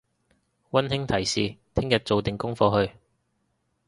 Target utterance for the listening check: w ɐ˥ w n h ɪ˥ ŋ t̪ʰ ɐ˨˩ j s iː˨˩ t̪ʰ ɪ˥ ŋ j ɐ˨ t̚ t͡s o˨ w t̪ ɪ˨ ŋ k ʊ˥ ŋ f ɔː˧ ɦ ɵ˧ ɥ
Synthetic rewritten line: w ɐ˥ n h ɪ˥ ŋ t̪ʰ ɐ˨˩ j s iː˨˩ t̪ʰ ɪ˥ ŋ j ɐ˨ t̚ t͡s o˨ w t̪ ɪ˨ ŋ k ʊ˥ ŋ f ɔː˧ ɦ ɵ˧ ɥ